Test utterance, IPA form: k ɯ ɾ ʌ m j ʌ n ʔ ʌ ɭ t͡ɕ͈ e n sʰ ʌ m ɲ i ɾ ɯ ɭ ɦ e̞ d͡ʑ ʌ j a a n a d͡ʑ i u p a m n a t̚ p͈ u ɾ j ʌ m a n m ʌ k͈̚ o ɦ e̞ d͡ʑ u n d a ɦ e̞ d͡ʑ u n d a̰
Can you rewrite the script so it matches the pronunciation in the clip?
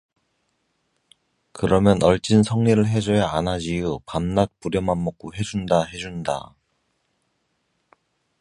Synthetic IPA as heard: k ɯ ɾ ʌ m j ʌ n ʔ ʌ ɭ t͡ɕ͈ i n sʰ ʌ ŋ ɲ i ɾ ɯ ɭ ɦ e̞ d͡ʑ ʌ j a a n a d͡ʑ i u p a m n a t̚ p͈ u ɾ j ʌ m a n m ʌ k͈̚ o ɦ e̞ d͡ʑ u n d a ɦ e̞ d͡ʑ u n d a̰